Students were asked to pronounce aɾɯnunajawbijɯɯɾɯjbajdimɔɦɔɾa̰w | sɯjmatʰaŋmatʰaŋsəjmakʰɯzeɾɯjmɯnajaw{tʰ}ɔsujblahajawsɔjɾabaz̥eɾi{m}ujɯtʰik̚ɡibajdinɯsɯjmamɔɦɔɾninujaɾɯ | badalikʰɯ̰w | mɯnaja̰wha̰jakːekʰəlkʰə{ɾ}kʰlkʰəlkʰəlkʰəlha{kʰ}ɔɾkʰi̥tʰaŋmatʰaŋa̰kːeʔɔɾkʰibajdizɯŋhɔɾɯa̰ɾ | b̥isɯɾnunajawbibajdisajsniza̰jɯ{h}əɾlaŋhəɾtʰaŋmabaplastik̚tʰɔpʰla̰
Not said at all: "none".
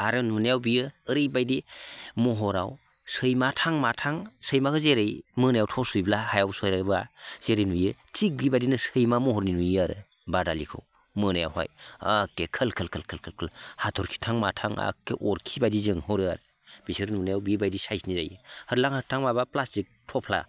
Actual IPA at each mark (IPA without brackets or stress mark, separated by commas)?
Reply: tʰ, n, l, tʰ, h